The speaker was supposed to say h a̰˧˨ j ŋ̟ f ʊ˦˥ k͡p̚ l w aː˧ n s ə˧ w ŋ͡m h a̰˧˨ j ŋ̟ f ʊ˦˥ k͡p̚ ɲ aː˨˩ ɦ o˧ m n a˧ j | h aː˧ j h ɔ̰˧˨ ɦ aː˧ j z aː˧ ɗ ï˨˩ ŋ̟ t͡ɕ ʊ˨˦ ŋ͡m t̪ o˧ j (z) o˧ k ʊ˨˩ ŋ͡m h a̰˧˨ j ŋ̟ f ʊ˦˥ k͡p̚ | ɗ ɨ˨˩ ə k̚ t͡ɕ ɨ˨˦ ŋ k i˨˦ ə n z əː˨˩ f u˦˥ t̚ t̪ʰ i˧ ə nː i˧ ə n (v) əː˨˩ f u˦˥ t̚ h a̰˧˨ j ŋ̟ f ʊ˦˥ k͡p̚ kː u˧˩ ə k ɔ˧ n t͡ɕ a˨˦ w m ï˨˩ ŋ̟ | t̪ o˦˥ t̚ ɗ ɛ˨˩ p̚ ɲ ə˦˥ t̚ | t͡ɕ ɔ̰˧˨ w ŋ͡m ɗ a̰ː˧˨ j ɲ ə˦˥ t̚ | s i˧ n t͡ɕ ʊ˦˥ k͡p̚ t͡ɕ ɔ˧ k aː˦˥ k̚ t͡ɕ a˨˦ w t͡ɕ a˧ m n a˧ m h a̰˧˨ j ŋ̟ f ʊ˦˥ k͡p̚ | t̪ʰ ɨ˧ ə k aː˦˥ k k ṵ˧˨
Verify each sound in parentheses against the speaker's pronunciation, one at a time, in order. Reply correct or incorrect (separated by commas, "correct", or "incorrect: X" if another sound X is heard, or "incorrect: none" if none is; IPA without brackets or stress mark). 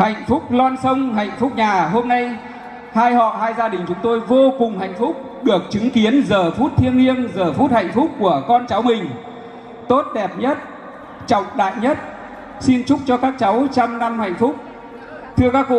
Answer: incorrect: v, incorrect: z